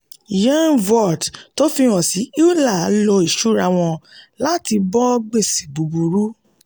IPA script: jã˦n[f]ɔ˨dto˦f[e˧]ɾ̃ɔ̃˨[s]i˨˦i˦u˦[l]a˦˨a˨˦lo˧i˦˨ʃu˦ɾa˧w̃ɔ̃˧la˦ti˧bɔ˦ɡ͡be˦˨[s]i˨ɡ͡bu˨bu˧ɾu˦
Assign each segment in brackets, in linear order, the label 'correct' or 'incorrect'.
incorrect: v, incorrect: i˧, correct, correct, correct

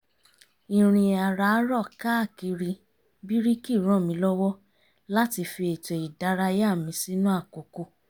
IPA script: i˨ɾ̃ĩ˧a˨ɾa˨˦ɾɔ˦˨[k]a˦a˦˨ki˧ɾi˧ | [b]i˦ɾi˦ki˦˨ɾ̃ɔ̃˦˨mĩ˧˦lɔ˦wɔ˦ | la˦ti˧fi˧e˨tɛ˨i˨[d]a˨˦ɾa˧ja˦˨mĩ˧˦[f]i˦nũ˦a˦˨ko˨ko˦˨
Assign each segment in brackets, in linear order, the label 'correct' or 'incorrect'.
correct, correct, correct, incorrect: s

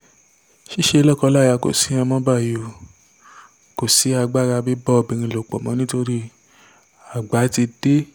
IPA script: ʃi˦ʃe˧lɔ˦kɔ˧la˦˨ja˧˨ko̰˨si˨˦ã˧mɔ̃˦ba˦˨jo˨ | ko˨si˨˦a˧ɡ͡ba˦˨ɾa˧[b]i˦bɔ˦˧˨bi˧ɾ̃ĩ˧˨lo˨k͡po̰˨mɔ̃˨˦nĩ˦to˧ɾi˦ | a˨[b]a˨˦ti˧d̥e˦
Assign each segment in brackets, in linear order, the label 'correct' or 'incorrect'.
correct, incorrect: ɡ͡b

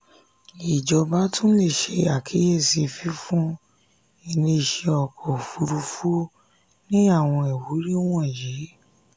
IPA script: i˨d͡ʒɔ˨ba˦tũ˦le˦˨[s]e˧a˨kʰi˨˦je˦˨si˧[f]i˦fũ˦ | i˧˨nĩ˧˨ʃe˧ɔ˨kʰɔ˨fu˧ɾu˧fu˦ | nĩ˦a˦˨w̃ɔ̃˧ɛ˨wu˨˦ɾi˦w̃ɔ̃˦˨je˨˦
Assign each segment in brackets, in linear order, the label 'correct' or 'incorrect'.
incorrect: ʃ, correct

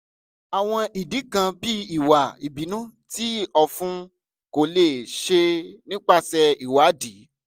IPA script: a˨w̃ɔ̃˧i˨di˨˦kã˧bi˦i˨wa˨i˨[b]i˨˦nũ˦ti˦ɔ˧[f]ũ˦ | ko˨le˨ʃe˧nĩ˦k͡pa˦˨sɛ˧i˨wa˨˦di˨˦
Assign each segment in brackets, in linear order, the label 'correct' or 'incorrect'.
correct, correct

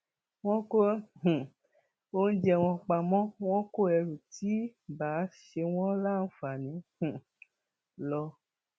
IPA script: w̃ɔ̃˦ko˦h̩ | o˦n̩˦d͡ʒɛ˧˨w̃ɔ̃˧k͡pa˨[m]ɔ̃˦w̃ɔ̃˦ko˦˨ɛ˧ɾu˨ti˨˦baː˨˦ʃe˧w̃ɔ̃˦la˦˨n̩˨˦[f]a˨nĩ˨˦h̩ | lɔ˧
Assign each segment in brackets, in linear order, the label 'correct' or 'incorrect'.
correct, correct

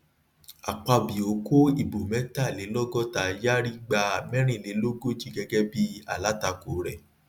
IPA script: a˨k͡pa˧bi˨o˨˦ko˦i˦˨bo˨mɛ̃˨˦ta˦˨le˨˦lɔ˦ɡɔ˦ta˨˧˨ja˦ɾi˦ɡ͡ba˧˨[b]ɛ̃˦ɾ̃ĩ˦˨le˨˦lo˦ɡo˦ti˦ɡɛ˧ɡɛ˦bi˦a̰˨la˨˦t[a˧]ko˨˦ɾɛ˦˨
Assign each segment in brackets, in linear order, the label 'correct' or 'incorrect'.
incorrect: m, correct

